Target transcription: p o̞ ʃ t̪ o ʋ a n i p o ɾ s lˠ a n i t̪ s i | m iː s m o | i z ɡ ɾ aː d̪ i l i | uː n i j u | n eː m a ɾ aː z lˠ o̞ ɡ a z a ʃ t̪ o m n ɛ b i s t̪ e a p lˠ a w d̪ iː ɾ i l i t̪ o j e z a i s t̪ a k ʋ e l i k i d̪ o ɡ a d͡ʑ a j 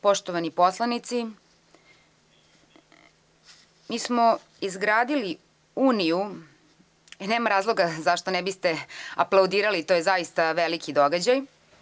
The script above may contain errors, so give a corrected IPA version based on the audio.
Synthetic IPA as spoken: p o̞ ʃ t̪ o ʋ a n i p o s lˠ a n i t̪ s i | m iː s m o | i z ɡ ɾ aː d̪ i l i | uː n i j u | n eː m a ɾ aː z lˠ o̞ ɡ a z a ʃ t̪ o n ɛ b i s t̪ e a p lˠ a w d̪ iː ɾ a l i t̪ o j e z a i s t̪ a ʋ e l i k i d̪ o ɡ a d͡ʑ a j